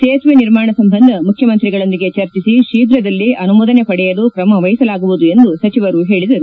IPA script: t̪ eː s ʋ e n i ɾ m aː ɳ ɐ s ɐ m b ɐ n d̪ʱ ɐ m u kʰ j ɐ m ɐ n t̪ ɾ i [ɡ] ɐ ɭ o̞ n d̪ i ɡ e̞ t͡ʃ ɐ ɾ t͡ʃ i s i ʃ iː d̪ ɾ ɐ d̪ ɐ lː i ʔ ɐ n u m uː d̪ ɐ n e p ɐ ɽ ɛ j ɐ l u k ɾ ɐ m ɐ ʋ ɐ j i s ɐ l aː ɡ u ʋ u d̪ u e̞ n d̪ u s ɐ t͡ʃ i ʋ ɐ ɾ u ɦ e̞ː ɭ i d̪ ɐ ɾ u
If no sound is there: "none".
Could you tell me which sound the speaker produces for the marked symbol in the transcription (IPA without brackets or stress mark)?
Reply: ɡ